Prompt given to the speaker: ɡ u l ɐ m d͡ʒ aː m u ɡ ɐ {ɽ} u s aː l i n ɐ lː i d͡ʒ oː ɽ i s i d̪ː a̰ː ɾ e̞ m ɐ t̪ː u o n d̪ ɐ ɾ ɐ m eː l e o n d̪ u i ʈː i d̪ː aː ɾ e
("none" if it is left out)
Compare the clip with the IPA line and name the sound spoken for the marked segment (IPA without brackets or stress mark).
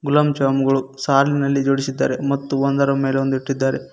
ɭ